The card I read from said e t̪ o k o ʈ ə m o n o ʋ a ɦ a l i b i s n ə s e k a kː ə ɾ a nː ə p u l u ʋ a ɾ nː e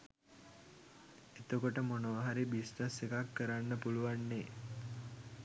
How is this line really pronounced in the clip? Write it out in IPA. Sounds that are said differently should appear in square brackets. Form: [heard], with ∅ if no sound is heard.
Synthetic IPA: e t̪ o k o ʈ ə m o n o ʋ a ɦ a [ɾ] i b i s n ə s e k a kː ə ɾ a nː ə p u l u ʋ a [∅] nː e